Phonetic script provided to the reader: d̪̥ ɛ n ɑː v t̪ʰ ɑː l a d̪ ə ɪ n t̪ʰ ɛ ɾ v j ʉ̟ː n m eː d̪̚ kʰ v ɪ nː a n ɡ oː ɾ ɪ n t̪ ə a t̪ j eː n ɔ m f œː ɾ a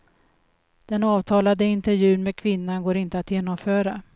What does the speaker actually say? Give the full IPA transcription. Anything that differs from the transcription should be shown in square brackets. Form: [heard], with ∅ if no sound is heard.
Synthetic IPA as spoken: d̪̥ ɛ n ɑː v t̪ʰ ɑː l a d̪ ə ɪ n [t̪] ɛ ɾ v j ʉ̟ː n m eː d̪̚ kʰ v ɪ nː a n ɡ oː ɾ ɪ n t̪ ə a t̪ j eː n ɔ m f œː ɾ a